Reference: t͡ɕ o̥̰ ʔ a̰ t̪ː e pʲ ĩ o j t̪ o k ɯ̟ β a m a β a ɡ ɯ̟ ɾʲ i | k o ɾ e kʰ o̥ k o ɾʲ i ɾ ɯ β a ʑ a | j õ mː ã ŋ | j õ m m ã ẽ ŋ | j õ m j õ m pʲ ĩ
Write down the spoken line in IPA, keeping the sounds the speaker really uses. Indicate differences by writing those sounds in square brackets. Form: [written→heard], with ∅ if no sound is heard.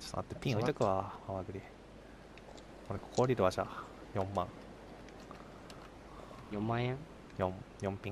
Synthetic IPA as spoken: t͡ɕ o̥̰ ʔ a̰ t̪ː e pʲ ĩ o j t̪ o k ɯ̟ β a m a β a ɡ ɯ̟ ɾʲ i | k o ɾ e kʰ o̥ k o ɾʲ i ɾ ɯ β a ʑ a | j õ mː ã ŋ | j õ m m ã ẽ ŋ | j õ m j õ m pʲ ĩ